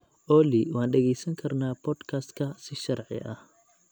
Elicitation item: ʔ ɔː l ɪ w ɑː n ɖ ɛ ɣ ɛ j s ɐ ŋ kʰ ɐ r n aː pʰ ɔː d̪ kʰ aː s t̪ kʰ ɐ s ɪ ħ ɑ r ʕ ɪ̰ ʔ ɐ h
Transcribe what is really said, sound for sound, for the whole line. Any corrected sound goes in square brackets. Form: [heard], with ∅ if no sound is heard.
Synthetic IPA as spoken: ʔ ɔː l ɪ w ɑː n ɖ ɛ ɣ ɛ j s ɐ ŋ kʰ ɐ r n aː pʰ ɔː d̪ kʰ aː s t̪ kʰ ɐ s ɪ [ʃ] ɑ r ʕ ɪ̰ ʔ ɐ h